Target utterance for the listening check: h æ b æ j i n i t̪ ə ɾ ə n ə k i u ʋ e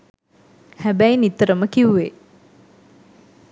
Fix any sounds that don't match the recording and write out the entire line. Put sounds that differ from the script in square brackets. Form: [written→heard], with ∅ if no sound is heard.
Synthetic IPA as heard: h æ b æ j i n i t̪ ə ɾ ə [n→m] ə k i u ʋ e